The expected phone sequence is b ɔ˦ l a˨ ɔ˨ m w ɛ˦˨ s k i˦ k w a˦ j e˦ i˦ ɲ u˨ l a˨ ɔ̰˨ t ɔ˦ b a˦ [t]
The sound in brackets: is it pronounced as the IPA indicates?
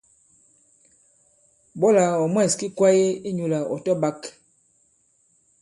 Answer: no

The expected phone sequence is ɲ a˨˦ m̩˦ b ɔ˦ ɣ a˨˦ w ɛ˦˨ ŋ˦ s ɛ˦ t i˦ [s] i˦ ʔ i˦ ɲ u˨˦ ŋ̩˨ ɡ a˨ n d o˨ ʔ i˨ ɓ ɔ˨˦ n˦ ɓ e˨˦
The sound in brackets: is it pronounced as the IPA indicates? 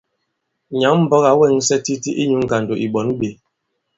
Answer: no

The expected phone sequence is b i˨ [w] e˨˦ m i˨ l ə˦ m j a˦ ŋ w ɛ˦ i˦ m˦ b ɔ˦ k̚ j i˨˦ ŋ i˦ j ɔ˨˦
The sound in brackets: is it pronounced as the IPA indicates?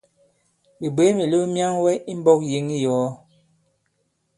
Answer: no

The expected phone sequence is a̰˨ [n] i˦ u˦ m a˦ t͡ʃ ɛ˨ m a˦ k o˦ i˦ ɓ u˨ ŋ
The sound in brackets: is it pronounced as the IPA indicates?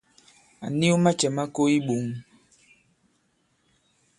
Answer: yes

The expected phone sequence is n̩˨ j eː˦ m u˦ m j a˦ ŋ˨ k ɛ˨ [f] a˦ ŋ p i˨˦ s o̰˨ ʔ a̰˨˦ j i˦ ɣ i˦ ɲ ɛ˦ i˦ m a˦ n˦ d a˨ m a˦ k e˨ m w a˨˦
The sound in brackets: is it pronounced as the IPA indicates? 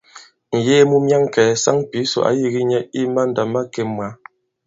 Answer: no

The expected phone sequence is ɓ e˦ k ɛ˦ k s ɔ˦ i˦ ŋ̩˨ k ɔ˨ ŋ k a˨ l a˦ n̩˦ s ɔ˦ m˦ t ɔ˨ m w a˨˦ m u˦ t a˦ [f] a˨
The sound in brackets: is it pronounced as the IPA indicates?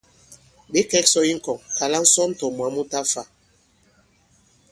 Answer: yes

